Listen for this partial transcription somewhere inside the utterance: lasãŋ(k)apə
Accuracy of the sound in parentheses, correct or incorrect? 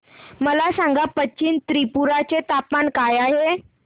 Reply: incorrect